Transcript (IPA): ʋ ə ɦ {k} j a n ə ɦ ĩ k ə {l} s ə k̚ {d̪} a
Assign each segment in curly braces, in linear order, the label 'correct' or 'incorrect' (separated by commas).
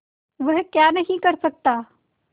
correct, incorrect, incorrect